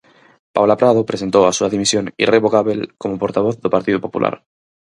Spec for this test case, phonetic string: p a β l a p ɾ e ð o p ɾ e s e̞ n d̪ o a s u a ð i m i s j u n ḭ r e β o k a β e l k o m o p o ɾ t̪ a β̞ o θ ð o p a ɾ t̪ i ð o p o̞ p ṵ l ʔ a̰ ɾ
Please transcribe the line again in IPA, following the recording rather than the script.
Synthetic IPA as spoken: p a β l a p ɾ a ð o p ɾ e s e̞ n t̪ o a s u a ð i m i s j o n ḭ r e β o k a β e l k o m o p o ɾ t̪ a β̞ o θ ð o p a ɾ t̪ i ð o p o̞ p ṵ l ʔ a̰ ɾ